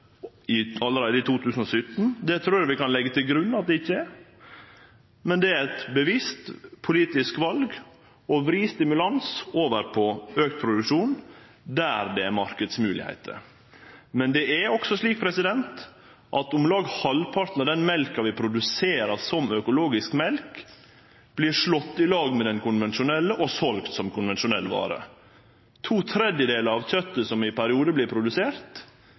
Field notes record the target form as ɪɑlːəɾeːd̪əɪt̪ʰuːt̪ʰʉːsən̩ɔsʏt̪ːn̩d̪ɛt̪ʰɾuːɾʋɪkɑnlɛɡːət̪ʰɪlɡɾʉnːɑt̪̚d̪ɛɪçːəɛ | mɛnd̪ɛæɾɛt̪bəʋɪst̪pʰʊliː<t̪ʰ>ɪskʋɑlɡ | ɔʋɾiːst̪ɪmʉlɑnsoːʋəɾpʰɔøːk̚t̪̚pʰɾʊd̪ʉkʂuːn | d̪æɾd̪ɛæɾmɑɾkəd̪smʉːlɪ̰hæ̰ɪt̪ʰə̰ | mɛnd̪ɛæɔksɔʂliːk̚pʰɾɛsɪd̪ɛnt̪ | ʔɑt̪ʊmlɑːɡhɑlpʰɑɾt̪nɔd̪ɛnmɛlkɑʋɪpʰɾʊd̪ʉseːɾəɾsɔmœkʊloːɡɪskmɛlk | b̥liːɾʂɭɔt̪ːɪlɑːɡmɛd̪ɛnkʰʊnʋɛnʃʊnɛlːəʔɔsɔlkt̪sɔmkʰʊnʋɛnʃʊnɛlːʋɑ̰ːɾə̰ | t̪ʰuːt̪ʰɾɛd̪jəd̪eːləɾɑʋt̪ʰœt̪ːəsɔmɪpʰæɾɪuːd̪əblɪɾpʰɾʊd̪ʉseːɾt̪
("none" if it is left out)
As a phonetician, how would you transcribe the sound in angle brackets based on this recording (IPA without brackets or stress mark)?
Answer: t̪